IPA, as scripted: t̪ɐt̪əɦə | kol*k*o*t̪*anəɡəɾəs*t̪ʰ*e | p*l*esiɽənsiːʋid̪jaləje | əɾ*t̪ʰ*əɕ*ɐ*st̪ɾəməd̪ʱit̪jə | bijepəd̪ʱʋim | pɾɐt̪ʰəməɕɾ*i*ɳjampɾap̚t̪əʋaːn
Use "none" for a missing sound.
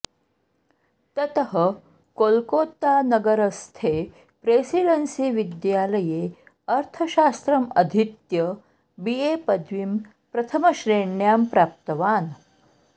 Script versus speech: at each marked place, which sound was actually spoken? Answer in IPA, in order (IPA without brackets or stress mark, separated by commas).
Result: k, t̪, t̪ʰ, ɾ, t̪ʰ, a, e